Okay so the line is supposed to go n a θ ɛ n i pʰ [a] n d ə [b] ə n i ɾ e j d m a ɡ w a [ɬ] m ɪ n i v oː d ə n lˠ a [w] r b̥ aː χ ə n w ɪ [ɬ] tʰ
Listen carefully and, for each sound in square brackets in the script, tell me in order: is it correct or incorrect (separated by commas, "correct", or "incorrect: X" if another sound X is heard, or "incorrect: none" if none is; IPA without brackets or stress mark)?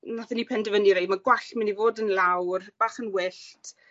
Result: incorrect: ɛ, incorrect: v, correct, correct, correct